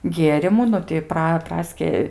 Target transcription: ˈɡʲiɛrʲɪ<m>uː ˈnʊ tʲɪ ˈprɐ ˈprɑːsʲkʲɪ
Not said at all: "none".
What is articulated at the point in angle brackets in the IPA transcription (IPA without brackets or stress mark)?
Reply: m